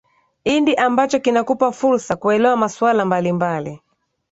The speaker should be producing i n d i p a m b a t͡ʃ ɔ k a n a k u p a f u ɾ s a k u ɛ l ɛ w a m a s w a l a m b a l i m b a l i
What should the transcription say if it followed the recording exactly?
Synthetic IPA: i n d i ʔ a m b a t͡ʃ ɔ k i n a k u p a f u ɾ s a k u ɛ l ɛ w a m a s w a l a m b a l i m b a l i

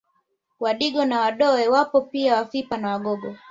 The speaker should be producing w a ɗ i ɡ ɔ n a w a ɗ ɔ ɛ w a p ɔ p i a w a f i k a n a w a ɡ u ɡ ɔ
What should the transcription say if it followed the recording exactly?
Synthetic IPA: w a ɗ i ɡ ɔ n a w a ɗ ɔ ɛ w a p ɔ p i a w a f i p a n a w a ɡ ɔ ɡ ɔ

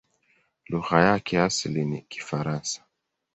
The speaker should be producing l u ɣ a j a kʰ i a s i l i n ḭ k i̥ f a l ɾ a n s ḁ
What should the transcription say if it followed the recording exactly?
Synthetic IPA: l u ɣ a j a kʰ ɛ a s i l i n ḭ k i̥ f a ɾ a n s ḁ

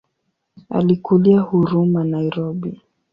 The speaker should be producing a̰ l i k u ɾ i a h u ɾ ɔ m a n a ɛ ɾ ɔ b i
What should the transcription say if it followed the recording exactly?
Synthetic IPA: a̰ l i k u l i a h u ɾ u m a n a i ɾ ɔ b i

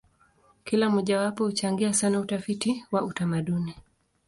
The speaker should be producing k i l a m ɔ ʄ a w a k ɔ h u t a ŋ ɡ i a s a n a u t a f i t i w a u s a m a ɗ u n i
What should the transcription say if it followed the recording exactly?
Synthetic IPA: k i l a m ɔ ʄ a w a p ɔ h u t͡ʃ a ŋ ɡ i a s a n a u t a f i t i w a u t a m a ɗ u n i

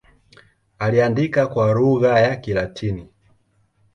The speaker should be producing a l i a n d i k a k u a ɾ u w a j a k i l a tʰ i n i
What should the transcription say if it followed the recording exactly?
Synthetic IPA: a l i a n d i k a k w a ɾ u ɣ a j a k i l a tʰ i n i

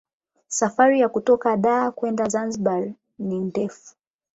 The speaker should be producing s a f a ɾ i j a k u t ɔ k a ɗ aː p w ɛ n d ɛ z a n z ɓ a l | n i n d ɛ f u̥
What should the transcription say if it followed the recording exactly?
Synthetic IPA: s a f a ɾ i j a k u t ɔ k a ɗ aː k w ɛ n d a z a n z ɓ a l | n i n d ɛ f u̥

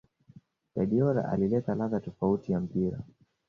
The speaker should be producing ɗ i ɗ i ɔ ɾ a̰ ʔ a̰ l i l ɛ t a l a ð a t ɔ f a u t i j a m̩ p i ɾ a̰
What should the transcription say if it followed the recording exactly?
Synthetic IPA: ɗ a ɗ i ɔ ɾ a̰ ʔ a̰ l i l ɛ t a l a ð a t ɔ f a u t i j a m̩ p i ɾ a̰

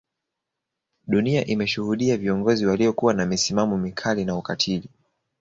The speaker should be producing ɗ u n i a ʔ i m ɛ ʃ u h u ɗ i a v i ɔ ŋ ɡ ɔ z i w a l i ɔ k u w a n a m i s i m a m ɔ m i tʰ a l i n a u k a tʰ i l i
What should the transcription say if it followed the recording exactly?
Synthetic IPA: ɗ u n i a ʔ i m ɛ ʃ u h u ɗ i a v i ɔ ŋ ɡ ɔ z i w a l i ɔ k u w a n a m i s i m a m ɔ m i kʰ a l i n a u k a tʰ i l i

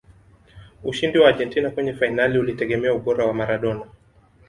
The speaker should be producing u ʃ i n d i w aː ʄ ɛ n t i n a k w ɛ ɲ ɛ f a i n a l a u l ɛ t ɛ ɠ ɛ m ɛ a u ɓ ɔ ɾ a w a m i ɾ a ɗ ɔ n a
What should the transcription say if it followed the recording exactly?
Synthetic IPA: u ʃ i n d i w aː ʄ ɛ n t i n a k w ɛ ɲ ɛ f a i n a l i u l i t ɛ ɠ ɛ m ɛ a u ɓ ɔ ɾ a w a m a ɾ a ɗ ɔ n a

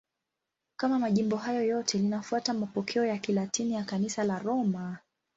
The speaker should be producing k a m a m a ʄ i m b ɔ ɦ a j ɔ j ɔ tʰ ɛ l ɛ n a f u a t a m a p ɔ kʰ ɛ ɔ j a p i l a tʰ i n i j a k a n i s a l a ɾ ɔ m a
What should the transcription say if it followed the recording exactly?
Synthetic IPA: k a m a m a ʄ i m b ɔ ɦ a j ɔ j ɔ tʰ ɛ l i n a f u a t a m a p ɔ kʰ ɛ ɔ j a k i l a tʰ i n i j a k a n i s a l a ɾ ɔ m a

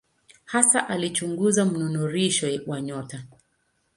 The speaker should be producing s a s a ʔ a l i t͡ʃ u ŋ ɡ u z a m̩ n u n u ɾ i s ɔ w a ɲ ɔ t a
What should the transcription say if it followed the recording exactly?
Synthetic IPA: h a s a ʔ a l i t͡ʃ u ŋ ɡ u z a m̩ n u n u ɾ i ʃ ɔ w a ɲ ɔ t a

